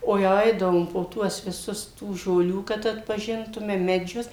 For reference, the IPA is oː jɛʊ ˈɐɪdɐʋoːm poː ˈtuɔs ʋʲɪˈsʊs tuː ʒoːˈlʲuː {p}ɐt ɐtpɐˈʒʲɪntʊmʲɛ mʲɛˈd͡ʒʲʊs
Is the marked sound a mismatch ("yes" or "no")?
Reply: yes